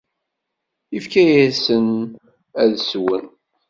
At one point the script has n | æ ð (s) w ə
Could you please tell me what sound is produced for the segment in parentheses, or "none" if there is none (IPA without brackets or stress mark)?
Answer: s